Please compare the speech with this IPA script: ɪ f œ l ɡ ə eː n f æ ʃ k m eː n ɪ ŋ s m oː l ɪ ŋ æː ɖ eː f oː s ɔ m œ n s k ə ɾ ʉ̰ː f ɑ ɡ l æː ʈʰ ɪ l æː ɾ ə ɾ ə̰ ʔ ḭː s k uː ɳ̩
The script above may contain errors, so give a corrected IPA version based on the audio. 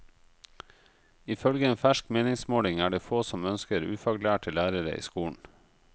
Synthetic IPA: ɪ f œ l ɡ ə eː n f æ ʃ k m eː n ɪ ŋ s m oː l ɪ ŋ æː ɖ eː f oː s ɔ m œ n s k ə ɾ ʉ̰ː f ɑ ɡ l æː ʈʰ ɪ l æː ɾ ə ɾ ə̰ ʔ ḭː s k uː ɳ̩